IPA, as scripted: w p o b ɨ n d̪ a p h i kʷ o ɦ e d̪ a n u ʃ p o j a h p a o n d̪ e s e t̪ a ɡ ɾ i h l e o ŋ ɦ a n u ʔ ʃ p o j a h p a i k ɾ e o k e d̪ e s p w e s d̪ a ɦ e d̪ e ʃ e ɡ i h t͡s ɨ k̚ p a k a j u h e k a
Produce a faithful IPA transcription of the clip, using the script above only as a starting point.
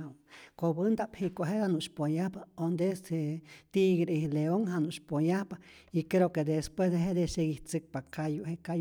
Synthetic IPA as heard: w k o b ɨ n d̪ a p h i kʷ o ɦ e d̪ a n u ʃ p o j a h p a o n d̪ e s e t̪ i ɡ ɾ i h l e o ŋ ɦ a n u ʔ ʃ p o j a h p a i k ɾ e o k e d̪ e s p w e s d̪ e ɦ e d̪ e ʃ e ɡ i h t͡s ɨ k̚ p a k a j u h e k a

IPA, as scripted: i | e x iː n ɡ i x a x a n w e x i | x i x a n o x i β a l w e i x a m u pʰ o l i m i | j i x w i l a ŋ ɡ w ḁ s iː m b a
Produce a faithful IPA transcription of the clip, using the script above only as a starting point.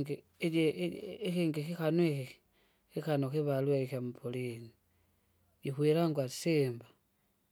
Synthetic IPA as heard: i | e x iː ŋ ɡ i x i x a n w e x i | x i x a n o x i β a l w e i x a m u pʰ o l i n i | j i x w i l a ŋ ɡ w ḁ s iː m b a

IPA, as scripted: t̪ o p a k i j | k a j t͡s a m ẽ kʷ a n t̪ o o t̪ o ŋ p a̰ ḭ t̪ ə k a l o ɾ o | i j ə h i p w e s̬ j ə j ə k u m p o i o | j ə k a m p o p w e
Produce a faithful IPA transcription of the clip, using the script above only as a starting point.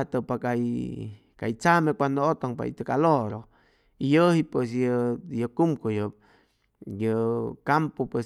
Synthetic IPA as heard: t̪ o p a k a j | k a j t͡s a m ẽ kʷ a n d̪ o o t̪ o ŋ p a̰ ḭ t̪ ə k a l o ɾ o | i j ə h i p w e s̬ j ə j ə k u m k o j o | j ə k a m p o p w e

